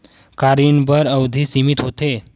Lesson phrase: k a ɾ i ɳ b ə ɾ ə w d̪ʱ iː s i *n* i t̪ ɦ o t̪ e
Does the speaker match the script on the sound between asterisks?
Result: no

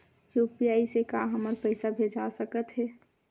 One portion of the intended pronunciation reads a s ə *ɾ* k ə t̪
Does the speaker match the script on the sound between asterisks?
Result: no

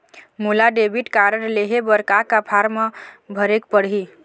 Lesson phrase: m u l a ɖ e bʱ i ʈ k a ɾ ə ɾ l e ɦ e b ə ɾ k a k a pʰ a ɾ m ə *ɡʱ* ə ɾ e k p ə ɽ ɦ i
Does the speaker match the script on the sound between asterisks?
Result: no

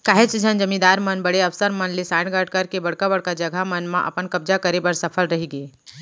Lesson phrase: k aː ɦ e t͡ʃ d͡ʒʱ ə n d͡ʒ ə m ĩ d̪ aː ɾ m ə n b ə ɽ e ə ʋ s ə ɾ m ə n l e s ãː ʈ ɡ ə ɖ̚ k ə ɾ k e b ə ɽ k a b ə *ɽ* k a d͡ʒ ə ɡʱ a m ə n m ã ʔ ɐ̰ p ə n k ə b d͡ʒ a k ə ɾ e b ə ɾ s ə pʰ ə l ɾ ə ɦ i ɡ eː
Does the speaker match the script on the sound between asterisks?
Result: yes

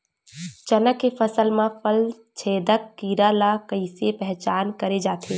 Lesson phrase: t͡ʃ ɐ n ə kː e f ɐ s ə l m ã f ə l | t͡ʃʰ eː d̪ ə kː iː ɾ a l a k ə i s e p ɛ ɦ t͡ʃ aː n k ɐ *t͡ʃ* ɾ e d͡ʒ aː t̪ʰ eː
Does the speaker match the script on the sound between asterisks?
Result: no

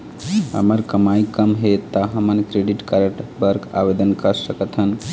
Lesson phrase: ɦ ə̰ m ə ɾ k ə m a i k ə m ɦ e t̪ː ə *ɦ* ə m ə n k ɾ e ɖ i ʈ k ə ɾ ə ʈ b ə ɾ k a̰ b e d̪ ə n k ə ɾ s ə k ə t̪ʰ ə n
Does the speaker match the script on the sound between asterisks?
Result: yes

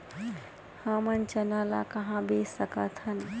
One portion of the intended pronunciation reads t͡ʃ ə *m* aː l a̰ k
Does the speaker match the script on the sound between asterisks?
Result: no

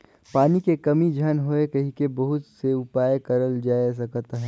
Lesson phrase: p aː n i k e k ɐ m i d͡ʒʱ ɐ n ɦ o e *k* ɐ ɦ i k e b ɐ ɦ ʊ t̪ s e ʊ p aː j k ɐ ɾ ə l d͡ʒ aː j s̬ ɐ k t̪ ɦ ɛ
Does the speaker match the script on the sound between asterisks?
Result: yes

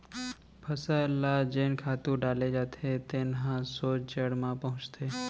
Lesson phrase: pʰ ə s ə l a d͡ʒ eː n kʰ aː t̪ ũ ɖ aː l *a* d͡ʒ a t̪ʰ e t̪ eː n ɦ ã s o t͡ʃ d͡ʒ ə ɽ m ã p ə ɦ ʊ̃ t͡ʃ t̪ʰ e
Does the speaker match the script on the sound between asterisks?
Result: no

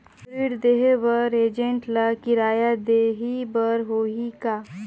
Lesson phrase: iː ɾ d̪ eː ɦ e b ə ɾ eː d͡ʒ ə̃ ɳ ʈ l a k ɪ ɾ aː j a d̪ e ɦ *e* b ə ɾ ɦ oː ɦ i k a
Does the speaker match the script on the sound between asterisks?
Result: no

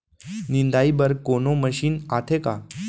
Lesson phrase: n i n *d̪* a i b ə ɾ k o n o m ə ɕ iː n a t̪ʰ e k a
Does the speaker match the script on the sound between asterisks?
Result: yes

